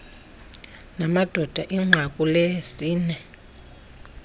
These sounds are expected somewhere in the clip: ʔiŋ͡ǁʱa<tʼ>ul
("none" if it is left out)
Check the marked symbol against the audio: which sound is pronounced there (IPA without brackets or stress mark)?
kʼ